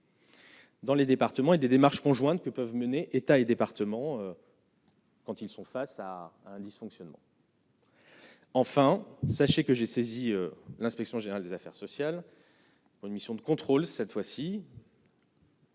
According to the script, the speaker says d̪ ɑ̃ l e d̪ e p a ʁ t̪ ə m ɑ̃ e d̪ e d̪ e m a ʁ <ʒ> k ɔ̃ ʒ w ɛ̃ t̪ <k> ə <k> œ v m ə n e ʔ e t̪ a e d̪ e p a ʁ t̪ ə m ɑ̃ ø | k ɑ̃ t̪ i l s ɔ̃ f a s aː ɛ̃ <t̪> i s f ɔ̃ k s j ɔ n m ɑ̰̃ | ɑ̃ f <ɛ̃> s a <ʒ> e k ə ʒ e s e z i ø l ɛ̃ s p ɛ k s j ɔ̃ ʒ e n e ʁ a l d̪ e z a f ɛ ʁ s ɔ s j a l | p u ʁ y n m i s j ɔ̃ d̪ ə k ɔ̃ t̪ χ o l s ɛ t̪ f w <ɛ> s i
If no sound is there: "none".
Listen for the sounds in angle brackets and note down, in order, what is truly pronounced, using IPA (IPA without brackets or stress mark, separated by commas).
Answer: ʃ, k, p, d̪, ɛ̃, ʃ, a